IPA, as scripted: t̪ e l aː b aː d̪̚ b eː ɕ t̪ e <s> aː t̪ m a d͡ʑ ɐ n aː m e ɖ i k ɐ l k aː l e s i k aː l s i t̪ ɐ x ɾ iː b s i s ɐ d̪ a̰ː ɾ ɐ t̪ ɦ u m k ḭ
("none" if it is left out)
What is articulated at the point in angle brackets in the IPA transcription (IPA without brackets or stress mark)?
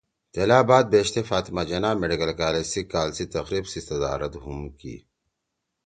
f